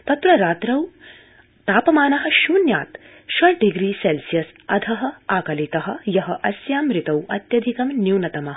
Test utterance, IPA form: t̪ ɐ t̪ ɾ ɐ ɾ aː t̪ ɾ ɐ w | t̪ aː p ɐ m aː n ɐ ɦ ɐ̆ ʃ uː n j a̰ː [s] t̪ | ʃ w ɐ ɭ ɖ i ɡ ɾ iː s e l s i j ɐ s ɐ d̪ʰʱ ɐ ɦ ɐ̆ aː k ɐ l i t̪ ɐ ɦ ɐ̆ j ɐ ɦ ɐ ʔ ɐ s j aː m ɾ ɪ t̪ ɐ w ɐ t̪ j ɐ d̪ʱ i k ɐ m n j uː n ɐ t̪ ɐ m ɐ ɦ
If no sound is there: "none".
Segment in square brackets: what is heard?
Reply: none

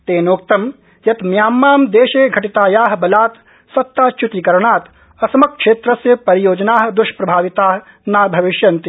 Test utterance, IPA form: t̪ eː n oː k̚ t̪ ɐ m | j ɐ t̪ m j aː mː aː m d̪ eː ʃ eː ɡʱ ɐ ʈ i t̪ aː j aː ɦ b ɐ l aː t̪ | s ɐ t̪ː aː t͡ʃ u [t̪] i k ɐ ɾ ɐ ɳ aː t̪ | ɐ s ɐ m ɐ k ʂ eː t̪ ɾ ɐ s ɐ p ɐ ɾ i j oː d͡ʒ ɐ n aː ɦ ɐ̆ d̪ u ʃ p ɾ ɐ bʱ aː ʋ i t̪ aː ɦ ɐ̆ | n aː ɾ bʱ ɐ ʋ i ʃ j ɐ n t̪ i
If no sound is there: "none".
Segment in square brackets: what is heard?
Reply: t̪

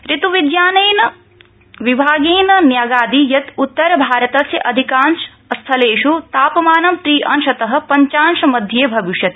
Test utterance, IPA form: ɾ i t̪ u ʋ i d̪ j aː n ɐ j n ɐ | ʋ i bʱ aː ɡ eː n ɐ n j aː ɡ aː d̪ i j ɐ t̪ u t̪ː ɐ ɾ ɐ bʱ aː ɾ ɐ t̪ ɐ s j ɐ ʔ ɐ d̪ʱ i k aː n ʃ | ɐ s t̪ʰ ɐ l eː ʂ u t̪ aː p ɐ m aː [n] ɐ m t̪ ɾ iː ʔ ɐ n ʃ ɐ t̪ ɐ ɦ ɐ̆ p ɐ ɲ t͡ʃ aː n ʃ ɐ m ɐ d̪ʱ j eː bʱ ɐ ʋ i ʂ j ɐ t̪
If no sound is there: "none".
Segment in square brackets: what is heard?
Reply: n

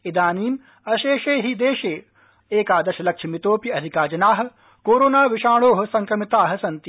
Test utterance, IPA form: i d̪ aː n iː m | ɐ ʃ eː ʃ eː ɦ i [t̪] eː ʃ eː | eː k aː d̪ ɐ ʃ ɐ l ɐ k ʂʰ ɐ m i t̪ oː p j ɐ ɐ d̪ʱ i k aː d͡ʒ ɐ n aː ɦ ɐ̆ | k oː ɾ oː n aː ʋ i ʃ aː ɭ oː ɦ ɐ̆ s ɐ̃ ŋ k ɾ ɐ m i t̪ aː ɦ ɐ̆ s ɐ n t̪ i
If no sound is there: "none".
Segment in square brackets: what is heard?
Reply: d̪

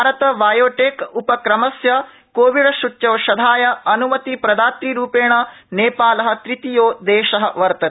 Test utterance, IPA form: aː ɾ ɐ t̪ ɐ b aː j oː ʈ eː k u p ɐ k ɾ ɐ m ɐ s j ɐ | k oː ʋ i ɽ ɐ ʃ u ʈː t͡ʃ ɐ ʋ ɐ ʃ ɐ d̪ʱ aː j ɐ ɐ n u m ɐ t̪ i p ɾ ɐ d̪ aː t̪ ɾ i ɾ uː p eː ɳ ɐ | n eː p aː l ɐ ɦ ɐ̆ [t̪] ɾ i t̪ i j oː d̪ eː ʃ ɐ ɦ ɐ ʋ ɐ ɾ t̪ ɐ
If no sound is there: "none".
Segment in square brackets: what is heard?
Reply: t̪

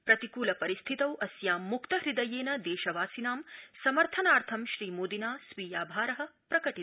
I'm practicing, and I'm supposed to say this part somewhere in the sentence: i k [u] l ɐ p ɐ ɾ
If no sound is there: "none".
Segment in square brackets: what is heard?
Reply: uː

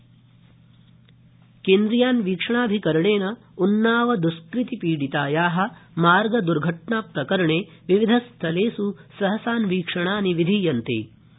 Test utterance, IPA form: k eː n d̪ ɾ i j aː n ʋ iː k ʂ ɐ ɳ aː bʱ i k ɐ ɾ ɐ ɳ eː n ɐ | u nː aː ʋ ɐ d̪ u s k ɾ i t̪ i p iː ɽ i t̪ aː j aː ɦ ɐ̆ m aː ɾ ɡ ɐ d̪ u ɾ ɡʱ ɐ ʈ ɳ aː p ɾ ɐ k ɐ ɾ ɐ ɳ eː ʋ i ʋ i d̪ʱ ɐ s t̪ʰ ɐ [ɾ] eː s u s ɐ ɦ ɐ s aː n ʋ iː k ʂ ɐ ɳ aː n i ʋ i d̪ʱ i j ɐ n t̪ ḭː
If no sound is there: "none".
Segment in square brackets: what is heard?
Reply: l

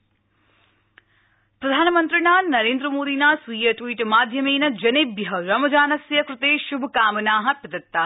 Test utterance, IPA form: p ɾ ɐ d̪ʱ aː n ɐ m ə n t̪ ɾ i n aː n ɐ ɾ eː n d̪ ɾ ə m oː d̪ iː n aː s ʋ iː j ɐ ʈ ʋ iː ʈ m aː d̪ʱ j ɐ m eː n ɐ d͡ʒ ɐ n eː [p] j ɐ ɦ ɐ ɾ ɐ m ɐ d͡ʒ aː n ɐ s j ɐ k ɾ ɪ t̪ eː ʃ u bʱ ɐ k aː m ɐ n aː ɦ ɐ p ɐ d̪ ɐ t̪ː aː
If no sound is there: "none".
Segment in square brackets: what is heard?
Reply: b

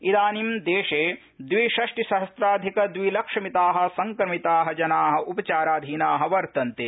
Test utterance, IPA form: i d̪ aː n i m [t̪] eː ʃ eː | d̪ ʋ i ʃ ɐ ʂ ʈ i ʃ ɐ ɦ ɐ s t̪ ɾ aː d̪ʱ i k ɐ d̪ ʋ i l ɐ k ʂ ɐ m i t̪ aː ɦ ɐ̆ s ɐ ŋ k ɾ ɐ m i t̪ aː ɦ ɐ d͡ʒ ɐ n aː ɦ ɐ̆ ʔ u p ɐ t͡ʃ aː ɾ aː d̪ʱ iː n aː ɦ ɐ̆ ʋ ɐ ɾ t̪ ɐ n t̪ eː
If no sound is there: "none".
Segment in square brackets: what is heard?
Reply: d̪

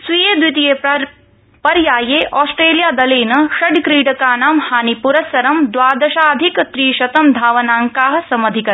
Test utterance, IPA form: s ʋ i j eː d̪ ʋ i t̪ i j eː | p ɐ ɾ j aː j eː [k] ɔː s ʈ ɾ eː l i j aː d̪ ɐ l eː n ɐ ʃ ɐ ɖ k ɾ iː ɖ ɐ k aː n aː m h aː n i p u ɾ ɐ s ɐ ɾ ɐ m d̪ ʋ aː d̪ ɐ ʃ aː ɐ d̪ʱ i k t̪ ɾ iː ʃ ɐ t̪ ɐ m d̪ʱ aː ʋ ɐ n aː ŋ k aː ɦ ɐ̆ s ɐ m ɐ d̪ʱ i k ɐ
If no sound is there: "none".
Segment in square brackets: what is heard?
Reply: ʔ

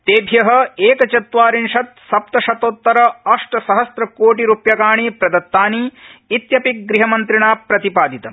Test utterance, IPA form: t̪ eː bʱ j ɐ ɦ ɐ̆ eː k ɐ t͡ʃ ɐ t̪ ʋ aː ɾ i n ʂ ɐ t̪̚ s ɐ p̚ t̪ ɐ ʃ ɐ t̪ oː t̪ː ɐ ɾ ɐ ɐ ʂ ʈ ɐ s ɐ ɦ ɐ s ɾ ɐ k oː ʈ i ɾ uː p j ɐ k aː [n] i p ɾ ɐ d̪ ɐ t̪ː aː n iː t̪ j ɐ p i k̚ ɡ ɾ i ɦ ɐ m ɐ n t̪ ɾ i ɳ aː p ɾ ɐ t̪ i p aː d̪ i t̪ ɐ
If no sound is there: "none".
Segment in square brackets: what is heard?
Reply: ɳ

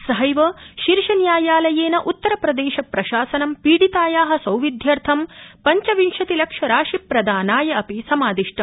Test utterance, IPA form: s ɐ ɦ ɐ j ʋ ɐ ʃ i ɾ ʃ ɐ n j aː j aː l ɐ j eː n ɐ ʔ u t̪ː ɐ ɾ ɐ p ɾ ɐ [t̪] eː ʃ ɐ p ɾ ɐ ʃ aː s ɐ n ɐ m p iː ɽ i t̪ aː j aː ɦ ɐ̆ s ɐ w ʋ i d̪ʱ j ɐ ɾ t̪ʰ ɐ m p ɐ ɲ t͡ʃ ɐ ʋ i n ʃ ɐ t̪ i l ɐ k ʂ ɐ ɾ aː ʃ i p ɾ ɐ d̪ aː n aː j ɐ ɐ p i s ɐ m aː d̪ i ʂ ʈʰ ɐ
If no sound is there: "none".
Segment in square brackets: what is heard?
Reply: d̪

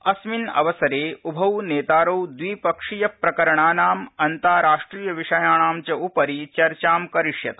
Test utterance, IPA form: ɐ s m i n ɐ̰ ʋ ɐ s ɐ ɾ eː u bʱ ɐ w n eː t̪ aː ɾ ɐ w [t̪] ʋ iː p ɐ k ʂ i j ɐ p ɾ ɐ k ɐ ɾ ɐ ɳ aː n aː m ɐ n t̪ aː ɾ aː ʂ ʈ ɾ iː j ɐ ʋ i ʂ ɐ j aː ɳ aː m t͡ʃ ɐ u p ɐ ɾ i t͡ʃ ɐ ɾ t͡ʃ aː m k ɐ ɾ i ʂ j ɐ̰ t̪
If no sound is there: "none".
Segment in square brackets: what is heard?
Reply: d̪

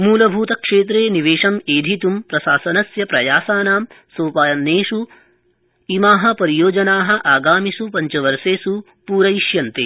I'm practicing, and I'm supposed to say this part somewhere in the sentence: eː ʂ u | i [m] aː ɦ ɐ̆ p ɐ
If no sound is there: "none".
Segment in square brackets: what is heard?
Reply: m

